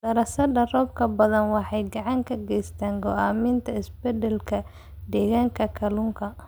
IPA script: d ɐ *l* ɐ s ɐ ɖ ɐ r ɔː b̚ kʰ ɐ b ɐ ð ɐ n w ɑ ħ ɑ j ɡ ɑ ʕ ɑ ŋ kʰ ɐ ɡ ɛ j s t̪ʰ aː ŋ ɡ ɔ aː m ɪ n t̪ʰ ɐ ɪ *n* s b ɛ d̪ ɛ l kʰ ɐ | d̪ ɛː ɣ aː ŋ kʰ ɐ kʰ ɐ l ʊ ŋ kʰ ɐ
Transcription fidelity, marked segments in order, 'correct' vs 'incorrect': incorrect: ɾ, incorrect: none

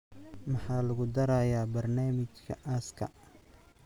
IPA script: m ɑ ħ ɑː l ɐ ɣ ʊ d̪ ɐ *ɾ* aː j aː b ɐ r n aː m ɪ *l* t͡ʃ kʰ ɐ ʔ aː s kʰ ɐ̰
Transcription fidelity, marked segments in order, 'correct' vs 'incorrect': correct, incorrect: none

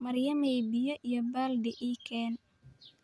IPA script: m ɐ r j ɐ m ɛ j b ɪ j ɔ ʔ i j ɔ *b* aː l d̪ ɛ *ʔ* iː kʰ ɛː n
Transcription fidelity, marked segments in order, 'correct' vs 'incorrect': correct, correct

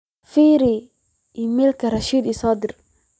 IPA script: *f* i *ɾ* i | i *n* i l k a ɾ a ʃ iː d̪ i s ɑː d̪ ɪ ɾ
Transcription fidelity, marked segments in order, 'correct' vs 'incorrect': correct, correct, incorrect: m

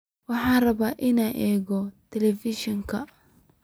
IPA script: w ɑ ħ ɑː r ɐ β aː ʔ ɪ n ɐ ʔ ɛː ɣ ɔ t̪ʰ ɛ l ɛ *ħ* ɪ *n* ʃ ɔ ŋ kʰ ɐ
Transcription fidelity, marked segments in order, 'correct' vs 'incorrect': incorrect: f, incorrect: none

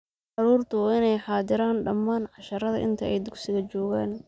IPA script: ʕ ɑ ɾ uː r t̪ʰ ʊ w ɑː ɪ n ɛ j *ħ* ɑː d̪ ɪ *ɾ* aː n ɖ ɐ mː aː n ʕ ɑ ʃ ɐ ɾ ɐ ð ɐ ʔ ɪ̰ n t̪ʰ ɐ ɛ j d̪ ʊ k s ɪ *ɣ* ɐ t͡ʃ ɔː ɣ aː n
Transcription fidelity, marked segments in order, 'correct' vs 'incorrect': correct, correct, correct

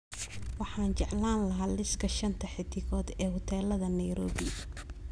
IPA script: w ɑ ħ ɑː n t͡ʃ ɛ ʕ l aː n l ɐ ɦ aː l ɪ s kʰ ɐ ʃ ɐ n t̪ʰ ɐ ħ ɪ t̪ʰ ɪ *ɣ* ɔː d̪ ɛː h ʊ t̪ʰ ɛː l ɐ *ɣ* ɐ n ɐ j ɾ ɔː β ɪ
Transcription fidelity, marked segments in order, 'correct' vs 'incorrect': correct, incorrect: ð

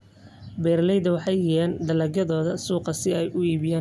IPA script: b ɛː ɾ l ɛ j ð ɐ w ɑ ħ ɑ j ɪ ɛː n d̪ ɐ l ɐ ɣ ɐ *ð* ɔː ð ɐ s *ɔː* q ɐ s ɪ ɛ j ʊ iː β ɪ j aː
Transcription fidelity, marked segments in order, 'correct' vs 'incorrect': correct, incorrect: uː

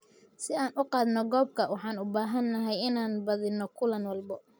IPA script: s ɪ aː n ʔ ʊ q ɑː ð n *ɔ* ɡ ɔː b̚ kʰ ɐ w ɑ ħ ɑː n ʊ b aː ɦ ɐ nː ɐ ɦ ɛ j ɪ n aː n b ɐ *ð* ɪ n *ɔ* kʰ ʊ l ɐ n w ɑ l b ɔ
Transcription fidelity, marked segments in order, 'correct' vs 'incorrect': correct, correct, correct

